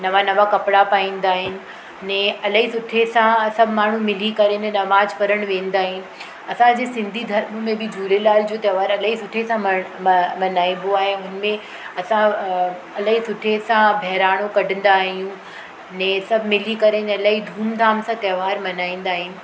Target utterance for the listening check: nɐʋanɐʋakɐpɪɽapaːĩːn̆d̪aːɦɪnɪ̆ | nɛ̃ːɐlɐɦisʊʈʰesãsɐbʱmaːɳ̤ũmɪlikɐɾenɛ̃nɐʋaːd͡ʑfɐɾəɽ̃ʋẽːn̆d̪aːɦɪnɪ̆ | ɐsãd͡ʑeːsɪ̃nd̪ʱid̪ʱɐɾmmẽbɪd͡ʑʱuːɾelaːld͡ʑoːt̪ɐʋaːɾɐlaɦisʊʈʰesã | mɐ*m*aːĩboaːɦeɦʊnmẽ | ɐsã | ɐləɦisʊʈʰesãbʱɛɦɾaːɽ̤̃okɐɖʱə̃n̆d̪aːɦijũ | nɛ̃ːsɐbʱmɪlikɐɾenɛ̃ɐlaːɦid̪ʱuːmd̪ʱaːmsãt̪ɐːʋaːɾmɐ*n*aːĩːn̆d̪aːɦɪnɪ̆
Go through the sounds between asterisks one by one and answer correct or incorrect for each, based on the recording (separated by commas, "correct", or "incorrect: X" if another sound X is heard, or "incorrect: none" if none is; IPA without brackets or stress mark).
incorrect: n, correct